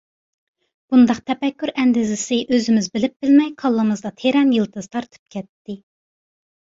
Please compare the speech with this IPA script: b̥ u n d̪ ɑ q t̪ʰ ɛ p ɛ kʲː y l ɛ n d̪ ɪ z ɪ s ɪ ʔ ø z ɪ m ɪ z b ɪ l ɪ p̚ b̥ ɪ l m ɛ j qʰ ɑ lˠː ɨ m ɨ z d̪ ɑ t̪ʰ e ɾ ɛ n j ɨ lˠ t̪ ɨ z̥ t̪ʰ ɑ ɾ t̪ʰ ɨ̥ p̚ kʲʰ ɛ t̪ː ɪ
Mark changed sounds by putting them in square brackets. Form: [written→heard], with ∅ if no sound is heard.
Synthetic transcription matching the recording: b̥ u n d̪ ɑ q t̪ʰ ɛ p ɛ kʲː y [l→ɾ] ɛ n d̪ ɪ z ɪ s ɪ ʔ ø z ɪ m ɪ z b ɪ l ɪ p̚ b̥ ɪ l m ɛ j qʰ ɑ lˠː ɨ m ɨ z d̪ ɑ t̪ʰ e ɾ ɛ n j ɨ lˠ t̪ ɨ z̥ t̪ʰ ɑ ɾ t̪ʰ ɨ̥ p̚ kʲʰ ɛ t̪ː ɪ